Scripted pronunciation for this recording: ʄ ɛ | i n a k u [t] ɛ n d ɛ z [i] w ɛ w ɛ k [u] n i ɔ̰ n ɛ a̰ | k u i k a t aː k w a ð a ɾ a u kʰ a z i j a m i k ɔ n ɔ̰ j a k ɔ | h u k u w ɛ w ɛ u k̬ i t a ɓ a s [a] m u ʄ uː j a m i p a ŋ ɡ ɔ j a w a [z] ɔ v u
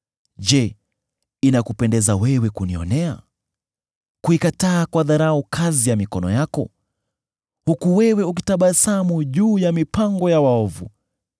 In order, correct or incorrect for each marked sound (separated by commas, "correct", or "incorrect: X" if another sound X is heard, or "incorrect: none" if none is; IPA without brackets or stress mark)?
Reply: incorrect: p, incorrect: a, correct, correct, incorrect: none